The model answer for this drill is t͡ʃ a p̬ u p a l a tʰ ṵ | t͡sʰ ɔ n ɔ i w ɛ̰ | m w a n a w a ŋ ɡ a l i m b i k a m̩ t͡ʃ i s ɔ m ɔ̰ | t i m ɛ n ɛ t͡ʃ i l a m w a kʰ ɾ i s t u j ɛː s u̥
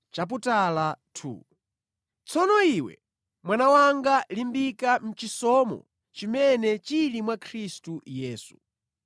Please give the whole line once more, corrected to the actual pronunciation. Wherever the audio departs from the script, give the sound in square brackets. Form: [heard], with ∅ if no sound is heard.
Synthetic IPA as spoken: t͡ʃ a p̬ u [t] a l a tʰ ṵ | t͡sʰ ɔ n ɔ i w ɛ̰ | m w a n a w a ŋ ɡ a l i m b i k a m̩ t͡ʃ i s ɔ m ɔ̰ | [t͡ʃ] i m ɛ n ɛ t͡ʃ i l [i] m w a kʰ ɾ i s t u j ɛː s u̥